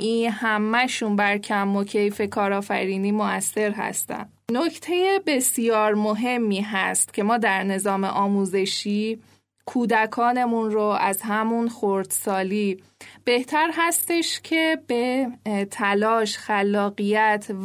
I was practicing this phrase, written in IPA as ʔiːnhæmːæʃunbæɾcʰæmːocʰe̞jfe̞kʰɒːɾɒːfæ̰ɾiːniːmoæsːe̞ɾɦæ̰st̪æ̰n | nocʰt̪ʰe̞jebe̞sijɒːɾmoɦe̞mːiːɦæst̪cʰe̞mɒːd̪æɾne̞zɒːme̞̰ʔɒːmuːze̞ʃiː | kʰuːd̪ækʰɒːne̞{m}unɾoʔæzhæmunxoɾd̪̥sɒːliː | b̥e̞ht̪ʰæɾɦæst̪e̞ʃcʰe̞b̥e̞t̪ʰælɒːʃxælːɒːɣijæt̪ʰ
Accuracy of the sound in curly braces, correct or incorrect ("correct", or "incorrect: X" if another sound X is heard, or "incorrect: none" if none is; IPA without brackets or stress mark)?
correct